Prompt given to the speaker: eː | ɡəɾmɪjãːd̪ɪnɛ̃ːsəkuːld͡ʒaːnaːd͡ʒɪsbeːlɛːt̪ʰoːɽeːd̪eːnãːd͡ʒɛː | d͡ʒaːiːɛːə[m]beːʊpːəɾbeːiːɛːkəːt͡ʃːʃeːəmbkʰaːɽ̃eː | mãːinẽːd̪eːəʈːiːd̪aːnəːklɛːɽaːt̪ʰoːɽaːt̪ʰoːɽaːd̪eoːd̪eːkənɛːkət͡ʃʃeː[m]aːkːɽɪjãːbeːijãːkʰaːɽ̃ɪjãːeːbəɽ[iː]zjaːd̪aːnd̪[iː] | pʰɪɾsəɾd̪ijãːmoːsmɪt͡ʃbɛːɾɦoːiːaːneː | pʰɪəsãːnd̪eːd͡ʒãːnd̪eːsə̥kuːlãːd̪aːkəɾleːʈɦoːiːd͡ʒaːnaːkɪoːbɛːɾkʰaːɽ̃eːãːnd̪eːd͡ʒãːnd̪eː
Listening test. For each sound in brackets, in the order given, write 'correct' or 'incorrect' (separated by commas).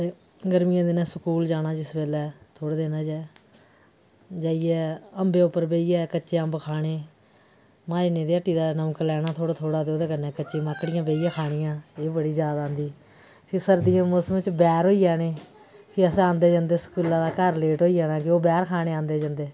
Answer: correct, correct, correct, correct